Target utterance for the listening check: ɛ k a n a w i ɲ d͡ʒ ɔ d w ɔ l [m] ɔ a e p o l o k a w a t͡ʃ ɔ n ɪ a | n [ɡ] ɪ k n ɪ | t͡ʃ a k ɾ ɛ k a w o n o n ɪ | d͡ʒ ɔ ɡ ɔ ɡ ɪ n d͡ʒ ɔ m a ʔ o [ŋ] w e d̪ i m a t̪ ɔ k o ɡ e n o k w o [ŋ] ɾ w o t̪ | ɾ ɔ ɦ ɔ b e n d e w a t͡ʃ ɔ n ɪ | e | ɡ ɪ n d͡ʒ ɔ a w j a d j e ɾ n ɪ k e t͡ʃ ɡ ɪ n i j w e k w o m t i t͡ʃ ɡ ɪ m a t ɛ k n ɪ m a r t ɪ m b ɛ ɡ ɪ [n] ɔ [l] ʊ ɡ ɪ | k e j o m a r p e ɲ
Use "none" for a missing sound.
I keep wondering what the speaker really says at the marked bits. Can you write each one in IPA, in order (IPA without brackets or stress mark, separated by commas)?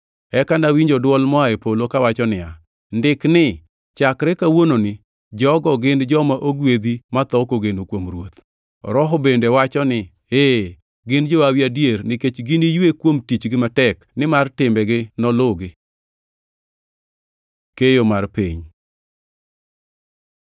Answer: m, d, ɡ, m, n, l